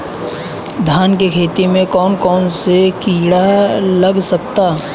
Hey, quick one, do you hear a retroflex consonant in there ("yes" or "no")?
yes